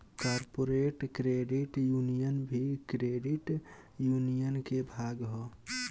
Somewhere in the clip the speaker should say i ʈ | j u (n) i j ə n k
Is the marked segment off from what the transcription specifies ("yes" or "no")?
no